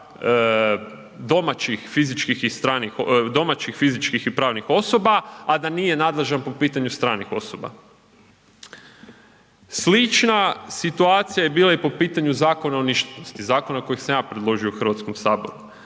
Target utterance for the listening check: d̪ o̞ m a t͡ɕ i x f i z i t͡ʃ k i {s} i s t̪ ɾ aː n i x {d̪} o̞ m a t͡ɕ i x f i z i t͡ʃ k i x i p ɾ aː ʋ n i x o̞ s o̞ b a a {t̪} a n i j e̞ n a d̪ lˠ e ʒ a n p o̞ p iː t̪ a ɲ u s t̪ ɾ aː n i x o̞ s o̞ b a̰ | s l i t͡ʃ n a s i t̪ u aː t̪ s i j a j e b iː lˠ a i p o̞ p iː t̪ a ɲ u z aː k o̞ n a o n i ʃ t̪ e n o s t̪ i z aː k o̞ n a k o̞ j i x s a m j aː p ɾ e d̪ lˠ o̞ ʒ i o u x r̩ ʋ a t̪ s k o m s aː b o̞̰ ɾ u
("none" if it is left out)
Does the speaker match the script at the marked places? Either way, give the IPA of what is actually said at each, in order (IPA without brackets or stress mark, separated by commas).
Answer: x, d̪, d̪